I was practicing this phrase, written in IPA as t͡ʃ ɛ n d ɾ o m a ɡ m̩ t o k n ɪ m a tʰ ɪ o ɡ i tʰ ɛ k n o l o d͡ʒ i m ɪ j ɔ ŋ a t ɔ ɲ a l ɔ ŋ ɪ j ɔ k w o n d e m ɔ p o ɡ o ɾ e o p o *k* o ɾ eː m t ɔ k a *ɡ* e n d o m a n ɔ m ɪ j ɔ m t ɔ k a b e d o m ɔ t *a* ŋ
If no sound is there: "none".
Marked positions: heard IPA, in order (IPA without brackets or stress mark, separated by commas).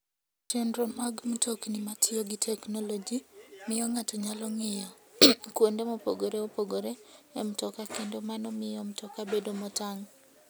ɡ, k, a